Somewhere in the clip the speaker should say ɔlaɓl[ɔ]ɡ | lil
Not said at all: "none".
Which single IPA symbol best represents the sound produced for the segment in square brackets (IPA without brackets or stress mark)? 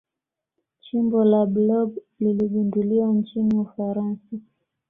ɔ